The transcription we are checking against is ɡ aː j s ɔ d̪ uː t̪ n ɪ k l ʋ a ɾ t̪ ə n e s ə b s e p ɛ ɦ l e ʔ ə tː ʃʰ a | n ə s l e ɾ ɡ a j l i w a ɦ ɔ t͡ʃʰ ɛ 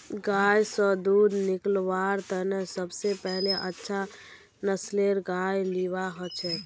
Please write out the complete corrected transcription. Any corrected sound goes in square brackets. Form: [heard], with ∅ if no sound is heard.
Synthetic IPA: ɡ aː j s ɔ d̪ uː [d̪] n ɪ k l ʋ a ɾ t̪ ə n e s ə b s e p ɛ ɦ l e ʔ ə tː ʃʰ a | n ə s l e ɾ ɡ a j l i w a ɦ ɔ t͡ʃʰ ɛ